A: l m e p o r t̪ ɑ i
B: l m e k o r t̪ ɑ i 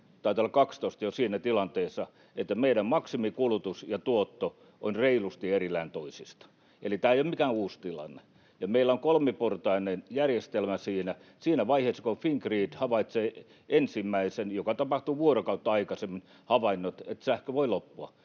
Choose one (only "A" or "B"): A